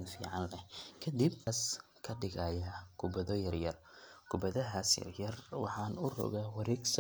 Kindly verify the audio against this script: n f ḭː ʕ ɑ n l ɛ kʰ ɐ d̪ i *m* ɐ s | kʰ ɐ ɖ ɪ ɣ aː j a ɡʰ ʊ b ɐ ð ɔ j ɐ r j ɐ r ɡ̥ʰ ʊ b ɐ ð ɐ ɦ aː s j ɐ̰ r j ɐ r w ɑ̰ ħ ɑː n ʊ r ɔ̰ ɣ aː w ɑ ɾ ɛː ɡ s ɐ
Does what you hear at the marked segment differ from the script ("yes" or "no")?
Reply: yes